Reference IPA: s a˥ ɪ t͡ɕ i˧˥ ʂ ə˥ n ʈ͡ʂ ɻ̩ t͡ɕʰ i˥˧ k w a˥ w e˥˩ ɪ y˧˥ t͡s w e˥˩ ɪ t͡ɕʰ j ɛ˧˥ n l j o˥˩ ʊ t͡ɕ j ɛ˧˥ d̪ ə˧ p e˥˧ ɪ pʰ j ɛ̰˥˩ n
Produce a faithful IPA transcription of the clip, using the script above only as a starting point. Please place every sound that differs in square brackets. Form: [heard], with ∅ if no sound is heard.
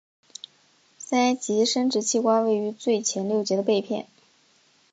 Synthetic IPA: s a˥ ɪ t͡ɕ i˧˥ ʂ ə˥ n ʈ͡ʂ ɻ̩ t͡ɕʰ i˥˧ k w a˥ w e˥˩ ɪ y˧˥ t͡s w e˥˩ ɪ t͡ɕʰ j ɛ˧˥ n l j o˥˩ ʊ t͡ɕ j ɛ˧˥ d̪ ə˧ p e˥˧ ɪ pʰ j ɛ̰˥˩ n